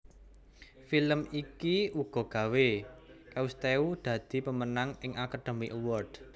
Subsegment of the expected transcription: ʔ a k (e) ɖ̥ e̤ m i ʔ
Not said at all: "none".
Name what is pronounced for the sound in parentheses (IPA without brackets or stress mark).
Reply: a